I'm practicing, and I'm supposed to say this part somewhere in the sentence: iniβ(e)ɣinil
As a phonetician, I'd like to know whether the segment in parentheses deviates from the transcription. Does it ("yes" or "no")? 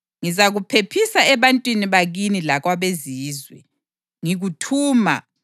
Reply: yes